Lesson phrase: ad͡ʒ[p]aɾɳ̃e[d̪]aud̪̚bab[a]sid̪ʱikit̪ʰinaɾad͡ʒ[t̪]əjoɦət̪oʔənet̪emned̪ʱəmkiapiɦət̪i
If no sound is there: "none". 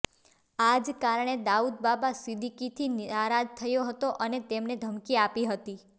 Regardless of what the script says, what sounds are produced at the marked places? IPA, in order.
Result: k, d̪, a, t̪ʰ

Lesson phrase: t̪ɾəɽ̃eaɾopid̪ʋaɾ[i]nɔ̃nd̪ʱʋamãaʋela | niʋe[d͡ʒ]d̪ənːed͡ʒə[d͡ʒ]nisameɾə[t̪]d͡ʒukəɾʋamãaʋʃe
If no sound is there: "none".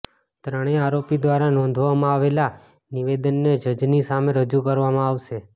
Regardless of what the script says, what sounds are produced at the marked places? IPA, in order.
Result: a, none, d͡ʒ, none

